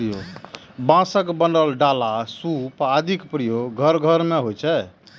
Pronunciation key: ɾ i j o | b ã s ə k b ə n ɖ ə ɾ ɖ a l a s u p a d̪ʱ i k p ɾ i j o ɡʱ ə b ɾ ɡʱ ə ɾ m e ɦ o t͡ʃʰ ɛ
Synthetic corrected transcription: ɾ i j o | b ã s ə k b ə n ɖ ə l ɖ a l a s u p a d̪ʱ i k p ɾ i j o ɡʱ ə ɾ ɡʱ ə ɾ m e ɦ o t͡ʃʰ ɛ